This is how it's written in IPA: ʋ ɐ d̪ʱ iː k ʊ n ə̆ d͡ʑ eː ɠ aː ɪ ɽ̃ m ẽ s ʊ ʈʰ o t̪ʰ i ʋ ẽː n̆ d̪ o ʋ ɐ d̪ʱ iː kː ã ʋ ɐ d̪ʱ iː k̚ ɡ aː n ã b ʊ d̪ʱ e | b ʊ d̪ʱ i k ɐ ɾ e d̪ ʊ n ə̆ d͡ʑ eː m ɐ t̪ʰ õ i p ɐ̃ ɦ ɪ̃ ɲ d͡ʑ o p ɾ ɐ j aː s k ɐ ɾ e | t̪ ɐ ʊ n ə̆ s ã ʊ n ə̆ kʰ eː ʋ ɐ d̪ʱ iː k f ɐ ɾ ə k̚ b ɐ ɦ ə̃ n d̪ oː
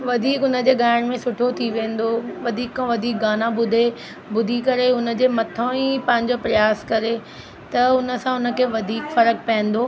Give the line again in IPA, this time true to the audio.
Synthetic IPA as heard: ʋ ɐ d̪ʱ iː k ʊ n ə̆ d͡ʑ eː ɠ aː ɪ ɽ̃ m ẽ s ʊ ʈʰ o t̪ʰ i ʋ ẽː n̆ d̪ o ʋ ɐ d̪ʱ iː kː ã ʋ ɐ d̪ʱ iː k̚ ɡ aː n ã b ʊ d̪ʱ e | b ʊ d̪ʱ i k ɐ ɾ e ʊ n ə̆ d͡ʑ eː m ɐ t̪ʰ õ i p ɐ̃ ɦ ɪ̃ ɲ d͡ʑ o p ɾ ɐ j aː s k ɐ ɾ e | t̪ ɐ ʊ n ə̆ s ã ʊ n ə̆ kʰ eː ʋ ɐ d̪ʱ iː k f ɐ ɾ ə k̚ p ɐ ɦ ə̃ n d̪ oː